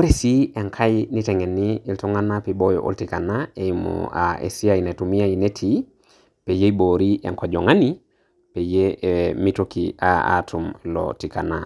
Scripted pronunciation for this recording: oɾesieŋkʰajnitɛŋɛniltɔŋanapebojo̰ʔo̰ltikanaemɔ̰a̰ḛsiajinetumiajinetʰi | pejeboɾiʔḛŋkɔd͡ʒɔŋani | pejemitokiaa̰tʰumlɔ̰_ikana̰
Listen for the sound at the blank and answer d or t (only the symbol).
t